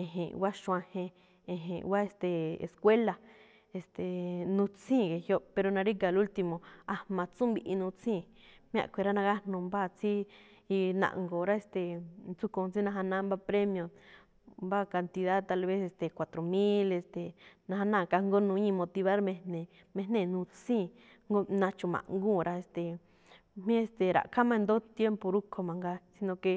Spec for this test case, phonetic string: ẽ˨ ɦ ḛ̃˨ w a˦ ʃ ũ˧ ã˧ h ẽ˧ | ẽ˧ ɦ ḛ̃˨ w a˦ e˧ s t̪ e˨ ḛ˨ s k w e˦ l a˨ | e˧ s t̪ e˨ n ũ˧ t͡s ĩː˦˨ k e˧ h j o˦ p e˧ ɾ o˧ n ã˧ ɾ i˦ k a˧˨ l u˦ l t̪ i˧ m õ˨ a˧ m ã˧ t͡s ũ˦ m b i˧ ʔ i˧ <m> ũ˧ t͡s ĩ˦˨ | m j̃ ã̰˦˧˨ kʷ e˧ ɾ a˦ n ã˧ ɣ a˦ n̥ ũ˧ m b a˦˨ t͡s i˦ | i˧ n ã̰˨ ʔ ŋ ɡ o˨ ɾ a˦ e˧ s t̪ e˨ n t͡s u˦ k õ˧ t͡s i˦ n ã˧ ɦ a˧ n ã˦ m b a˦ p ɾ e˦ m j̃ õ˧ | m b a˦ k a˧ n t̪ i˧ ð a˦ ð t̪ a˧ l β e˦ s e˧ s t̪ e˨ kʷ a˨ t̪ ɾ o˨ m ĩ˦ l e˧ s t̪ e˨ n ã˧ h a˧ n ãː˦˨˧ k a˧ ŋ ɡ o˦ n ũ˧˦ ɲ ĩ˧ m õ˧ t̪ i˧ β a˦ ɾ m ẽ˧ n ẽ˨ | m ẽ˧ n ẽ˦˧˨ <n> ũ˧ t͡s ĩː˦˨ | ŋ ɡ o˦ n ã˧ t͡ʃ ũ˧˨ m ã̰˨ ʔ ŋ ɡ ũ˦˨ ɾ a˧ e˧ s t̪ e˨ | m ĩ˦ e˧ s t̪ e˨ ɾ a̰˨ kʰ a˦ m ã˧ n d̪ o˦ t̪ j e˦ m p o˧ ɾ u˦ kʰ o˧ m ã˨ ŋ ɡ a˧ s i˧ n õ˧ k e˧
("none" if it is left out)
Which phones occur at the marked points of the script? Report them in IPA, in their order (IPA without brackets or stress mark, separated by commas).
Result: n, n